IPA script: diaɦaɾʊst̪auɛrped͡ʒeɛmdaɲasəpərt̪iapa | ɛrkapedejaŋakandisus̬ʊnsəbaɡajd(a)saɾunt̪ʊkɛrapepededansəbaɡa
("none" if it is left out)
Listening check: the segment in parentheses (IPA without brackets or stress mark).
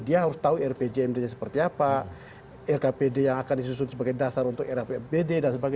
a